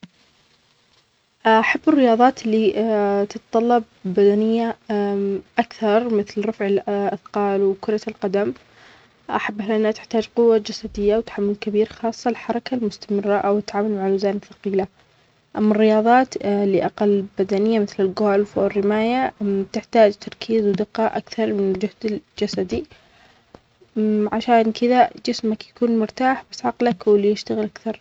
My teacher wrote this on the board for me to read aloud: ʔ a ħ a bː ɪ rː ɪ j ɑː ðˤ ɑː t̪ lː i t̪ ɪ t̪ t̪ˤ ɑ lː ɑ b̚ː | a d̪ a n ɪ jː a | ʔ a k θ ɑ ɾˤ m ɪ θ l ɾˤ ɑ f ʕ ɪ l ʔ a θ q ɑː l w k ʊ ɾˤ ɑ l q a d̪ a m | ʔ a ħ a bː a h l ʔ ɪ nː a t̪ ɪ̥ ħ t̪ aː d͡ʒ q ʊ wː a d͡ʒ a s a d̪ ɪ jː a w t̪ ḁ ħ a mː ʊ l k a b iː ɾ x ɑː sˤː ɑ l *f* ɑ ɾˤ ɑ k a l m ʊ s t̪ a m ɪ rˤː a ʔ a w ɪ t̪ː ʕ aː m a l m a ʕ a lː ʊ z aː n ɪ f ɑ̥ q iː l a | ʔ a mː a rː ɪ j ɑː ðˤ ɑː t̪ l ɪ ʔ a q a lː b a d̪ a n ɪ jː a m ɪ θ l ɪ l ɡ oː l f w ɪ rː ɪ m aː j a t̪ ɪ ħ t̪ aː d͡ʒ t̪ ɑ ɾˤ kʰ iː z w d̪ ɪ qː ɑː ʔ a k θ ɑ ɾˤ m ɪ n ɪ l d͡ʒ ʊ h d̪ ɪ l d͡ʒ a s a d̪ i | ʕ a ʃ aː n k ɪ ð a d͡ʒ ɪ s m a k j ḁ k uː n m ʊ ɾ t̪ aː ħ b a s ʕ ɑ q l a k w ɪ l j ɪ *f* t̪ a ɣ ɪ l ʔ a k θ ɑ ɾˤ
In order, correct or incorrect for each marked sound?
incorrect, incorrect

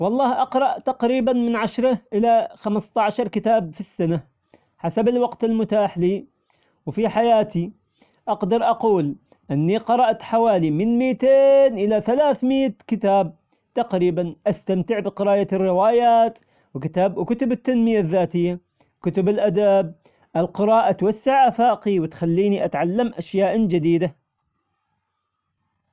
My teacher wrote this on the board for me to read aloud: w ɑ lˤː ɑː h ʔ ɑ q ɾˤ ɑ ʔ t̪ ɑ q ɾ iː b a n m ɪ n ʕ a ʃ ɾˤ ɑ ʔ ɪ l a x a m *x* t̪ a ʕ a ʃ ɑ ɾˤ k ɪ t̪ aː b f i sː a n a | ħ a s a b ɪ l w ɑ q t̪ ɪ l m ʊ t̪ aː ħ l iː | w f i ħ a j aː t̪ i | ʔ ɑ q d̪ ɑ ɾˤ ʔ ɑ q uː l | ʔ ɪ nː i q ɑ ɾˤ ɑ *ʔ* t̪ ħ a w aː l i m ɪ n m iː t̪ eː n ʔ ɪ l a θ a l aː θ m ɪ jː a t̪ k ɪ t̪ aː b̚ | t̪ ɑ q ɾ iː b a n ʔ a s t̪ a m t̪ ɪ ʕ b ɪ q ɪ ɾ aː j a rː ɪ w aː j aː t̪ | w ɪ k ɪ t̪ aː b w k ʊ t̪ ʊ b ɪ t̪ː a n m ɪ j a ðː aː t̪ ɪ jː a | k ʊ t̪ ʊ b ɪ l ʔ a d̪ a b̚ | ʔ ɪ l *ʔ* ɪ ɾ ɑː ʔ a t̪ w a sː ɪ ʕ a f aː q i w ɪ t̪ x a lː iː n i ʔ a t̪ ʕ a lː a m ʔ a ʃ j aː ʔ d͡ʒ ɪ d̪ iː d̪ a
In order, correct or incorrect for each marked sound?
incorrect, correct, incorrect

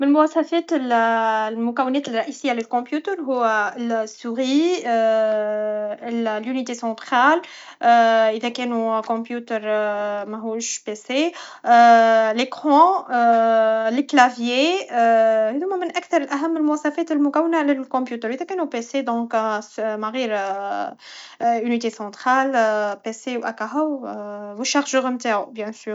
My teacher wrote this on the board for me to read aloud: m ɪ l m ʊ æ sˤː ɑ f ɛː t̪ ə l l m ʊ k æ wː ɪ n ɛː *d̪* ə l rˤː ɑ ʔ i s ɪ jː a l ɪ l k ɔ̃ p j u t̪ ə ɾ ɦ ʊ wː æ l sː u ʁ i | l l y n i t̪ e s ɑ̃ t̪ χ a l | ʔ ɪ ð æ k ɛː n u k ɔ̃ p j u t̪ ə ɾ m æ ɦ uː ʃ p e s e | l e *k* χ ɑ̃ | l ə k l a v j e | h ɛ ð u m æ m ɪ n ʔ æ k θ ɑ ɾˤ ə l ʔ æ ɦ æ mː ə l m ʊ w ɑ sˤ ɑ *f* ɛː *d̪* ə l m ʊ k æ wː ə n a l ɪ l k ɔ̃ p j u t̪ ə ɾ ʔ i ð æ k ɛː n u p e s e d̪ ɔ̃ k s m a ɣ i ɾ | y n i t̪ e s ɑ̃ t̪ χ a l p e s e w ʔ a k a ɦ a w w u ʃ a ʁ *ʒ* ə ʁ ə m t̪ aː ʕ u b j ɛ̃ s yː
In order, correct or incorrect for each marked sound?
incorrect, correct, correct, incorrect, correct

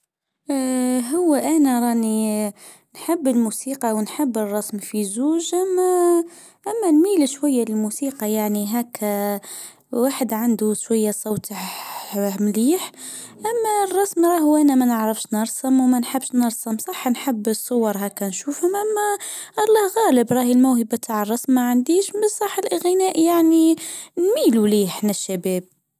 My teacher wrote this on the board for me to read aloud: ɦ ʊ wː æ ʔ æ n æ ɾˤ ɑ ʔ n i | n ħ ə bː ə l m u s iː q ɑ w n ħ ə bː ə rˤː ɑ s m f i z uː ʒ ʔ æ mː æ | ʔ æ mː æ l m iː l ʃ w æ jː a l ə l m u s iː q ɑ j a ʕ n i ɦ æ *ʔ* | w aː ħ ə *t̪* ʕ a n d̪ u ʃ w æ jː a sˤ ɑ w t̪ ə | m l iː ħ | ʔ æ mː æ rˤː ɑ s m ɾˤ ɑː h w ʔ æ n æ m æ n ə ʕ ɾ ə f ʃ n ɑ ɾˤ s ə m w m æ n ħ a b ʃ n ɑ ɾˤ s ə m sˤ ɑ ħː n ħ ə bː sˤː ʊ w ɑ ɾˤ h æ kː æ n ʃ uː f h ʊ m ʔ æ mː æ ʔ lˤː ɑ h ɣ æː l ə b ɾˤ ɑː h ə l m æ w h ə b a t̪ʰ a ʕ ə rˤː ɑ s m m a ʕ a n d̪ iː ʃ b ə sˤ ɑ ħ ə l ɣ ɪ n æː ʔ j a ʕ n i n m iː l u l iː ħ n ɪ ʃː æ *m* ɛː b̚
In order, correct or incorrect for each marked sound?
incorrect, incorrect, incorrect

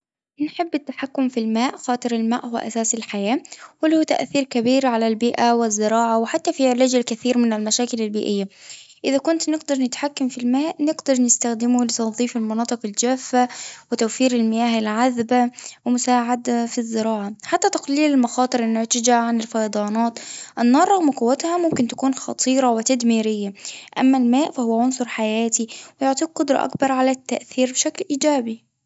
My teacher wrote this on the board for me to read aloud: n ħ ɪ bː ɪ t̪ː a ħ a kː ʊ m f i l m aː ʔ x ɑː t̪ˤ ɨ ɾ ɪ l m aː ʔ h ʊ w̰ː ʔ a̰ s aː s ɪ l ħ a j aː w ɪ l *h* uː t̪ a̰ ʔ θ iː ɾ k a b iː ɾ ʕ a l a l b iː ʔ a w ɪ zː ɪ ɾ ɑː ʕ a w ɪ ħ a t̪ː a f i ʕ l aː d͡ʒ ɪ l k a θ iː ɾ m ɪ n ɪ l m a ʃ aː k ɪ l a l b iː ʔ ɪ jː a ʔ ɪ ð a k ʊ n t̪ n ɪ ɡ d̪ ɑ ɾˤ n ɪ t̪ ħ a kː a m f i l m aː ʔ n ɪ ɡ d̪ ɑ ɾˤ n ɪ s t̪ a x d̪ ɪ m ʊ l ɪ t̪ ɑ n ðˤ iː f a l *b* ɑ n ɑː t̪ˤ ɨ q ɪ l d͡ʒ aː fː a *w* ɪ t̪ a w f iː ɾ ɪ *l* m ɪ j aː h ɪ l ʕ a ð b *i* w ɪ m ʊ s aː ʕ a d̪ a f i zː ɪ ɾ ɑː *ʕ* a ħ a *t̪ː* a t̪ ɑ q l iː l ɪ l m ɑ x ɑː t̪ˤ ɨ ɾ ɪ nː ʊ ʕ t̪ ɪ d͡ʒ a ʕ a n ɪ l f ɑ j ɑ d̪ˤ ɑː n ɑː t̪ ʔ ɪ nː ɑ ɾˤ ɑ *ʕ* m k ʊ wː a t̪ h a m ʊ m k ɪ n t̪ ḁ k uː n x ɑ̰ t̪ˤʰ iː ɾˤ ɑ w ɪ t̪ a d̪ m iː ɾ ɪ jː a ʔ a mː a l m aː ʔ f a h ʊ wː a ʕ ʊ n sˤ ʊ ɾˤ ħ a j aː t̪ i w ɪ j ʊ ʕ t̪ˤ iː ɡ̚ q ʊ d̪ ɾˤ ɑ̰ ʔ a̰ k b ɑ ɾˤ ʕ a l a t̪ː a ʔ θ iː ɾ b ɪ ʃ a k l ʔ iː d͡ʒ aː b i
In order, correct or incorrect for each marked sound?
correct, incorrect, correct, correct, incorrect, correct, correct, incorrect

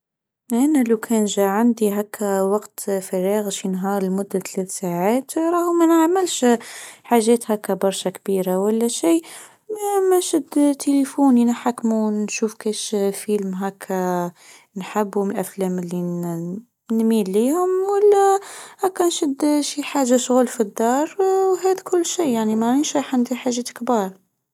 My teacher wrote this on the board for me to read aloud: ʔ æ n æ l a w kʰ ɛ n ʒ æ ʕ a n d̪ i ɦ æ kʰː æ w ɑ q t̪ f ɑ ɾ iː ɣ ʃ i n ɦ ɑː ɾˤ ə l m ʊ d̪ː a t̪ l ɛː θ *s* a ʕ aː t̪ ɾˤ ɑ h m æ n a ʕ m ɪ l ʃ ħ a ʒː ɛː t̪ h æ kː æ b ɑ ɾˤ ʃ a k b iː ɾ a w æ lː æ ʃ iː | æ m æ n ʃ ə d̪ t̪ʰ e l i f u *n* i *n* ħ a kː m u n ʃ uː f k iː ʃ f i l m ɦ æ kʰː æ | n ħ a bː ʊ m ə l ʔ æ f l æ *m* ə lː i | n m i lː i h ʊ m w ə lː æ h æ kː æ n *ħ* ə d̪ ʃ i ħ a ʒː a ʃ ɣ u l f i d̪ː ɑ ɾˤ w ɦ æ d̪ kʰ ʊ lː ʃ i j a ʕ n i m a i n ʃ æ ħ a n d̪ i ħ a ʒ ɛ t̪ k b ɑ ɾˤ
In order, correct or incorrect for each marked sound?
correct, correct, correct, correct, incorrect

